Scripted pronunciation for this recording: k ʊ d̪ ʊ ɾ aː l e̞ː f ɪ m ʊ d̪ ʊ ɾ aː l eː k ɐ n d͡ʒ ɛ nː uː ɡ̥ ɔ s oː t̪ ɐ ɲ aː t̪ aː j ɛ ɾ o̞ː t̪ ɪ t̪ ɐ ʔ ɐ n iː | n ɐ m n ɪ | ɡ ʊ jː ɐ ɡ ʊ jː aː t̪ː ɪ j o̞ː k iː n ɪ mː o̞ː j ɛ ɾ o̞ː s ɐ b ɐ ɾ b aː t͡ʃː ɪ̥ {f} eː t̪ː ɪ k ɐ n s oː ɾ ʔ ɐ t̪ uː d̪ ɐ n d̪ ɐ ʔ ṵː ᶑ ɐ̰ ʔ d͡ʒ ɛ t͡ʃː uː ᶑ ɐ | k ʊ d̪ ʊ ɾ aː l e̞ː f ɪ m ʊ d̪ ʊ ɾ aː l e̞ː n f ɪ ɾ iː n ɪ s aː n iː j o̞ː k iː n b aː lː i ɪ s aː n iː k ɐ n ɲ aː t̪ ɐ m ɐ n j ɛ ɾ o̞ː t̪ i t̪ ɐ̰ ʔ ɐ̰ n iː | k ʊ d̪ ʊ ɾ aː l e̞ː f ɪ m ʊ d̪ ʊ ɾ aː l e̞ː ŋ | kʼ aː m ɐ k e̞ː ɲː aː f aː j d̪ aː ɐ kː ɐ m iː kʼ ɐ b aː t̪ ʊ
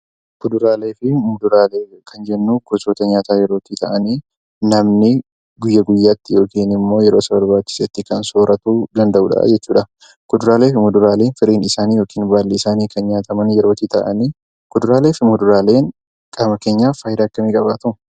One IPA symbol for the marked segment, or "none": s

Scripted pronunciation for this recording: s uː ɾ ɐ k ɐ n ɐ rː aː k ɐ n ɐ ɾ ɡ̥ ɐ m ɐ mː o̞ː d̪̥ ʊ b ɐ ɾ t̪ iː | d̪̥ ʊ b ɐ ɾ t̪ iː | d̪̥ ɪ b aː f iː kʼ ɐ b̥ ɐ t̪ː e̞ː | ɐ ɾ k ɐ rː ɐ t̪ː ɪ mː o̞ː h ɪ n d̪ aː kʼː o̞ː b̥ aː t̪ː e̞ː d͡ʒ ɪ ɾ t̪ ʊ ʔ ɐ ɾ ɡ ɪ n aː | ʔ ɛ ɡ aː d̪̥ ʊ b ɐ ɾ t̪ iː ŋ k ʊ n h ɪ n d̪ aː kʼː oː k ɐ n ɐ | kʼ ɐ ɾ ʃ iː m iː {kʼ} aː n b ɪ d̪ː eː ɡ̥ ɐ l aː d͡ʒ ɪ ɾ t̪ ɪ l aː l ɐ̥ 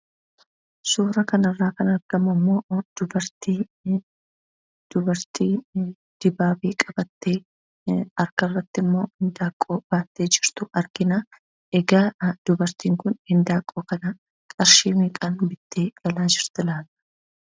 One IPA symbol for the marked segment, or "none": kʼ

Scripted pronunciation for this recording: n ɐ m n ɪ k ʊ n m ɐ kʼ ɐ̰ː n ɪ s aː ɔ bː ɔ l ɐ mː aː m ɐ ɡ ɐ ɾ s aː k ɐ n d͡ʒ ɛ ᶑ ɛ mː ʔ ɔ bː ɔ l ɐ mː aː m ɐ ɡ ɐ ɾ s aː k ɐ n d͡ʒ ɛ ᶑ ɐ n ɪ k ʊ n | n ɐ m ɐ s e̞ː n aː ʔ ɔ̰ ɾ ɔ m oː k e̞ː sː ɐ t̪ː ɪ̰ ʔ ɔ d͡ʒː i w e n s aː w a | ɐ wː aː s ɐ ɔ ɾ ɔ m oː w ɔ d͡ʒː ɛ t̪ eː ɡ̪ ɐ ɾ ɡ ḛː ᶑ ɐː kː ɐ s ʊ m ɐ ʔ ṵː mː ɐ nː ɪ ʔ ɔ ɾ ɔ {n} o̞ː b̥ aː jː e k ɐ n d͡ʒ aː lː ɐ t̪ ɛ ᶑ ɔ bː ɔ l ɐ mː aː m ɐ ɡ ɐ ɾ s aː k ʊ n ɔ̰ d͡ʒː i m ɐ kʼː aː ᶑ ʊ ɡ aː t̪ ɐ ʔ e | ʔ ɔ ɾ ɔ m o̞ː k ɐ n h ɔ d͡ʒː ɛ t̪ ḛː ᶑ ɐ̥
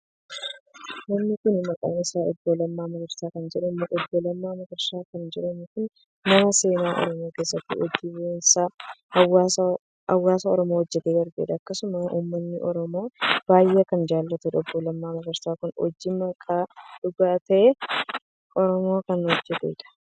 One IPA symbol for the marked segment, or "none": m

